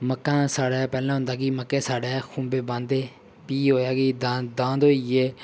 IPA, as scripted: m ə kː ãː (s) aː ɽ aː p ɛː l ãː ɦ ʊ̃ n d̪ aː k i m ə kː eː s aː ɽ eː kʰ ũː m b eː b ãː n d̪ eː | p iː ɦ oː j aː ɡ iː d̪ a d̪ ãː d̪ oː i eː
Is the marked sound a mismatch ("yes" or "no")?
no